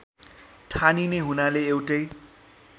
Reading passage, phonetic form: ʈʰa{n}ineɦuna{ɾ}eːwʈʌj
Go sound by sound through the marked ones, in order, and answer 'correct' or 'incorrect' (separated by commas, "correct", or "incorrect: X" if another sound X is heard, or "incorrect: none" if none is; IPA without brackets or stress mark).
correct, incorrect: l